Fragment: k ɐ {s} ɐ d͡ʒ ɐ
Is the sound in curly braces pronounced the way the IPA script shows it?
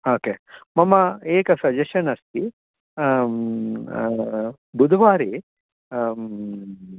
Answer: yes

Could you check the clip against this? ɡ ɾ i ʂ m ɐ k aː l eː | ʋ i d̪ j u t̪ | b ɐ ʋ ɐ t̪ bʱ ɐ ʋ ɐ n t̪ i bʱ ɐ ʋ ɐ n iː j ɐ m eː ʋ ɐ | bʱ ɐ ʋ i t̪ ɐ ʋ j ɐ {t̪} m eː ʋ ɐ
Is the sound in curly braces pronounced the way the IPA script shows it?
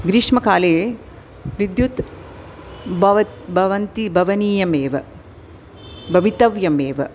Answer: no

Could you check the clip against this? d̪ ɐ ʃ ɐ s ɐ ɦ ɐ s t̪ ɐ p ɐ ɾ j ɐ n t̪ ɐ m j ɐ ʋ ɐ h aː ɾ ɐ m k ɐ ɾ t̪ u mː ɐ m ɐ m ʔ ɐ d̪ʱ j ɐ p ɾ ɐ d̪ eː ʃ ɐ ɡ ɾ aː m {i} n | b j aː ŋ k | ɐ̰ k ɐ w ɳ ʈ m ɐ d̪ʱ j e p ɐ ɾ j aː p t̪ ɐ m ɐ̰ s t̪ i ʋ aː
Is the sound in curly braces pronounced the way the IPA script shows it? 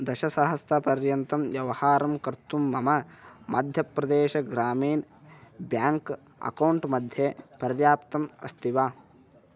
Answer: no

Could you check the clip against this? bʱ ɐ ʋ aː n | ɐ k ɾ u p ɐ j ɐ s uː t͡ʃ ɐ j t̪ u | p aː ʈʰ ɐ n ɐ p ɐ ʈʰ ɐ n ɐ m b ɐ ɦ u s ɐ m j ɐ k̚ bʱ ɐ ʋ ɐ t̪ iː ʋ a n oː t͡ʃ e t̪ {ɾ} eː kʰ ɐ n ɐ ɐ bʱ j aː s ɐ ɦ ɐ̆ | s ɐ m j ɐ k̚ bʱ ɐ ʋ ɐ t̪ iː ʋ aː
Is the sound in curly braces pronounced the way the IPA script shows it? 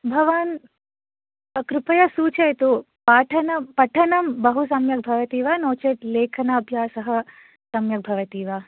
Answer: no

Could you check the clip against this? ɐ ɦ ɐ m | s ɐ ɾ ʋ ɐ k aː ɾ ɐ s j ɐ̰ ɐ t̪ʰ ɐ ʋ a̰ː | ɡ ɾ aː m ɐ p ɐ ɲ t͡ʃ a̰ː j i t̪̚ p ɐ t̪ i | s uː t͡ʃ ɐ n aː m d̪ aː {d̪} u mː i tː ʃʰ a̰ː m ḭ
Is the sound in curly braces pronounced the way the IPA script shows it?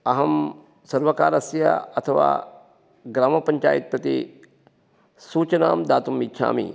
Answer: no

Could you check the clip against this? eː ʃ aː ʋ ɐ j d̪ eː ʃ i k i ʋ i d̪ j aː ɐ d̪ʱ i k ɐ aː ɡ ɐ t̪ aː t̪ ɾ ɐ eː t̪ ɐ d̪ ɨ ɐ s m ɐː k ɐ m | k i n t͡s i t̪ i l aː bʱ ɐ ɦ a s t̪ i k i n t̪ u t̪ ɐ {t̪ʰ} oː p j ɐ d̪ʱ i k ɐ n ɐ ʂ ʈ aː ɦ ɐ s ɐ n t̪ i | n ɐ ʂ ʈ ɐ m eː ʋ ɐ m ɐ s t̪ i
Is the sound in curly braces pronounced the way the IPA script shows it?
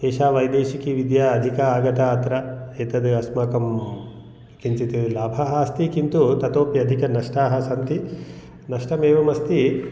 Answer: no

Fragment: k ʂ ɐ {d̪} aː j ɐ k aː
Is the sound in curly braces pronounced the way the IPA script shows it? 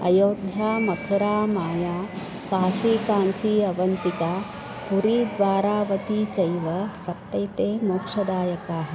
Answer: yes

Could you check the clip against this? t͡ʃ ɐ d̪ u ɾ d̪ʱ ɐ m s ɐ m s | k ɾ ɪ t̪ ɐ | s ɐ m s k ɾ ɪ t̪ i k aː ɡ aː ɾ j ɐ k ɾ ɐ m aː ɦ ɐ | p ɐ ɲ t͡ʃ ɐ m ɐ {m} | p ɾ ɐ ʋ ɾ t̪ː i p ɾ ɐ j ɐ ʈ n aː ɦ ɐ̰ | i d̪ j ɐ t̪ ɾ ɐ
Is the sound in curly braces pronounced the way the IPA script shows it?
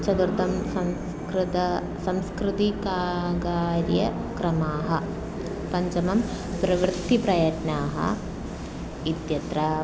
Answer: yes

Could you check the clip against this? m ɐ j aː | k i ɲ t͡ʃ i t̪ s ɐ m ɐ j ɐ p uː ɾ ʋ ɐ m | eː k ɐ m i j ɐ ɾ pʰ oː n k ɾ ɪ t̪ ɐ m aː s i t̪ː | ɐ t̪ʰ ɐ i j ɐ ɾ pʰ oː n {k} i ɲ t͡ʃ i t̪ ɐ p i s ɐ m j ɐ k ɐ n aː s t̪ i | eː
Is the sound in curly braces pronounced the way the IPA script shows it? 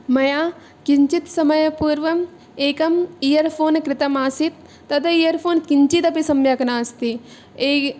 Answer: yes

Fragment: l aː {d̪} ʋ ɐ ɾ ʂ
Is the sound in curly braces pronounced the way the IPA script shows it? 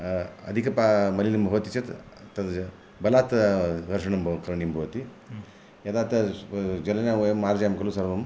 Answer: no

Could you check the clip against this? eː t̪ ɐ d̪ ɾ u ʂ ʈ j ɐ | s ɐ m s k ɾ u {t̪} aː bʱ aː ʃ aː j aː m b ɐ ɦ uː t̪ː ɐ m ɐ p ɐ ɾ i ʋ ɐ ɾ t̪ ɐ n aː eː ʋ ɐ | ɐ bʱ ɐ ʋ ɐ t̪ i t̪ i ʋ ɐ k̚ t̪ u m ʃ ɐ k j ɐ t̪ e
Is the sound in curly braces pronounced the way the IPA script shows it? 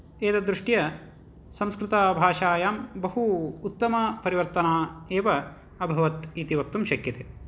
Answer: yes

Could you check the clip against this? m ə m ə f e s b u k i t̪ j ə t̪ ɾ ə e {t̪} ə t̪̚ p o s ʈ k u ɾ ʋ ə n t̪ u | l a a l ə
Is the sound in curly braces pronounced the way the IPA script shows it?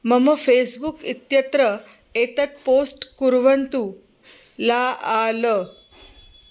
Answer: yes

